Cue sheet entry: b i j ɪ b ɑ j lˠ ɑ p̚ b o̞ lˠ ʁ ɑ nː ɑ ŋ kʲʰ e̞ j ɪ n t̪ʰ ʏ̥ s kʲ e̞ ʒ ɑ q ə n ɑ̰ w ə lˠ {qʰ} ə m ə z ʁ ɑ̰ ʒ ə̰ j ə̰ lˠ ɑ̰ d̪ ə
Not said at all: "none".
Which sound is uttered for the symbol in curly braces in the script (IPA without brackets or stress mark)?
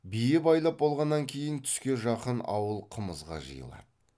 qʰ